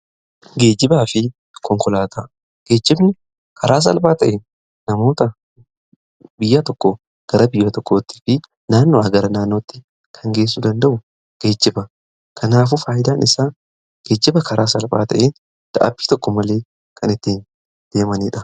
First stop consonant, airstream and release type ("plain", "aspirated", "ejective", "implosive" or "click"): plain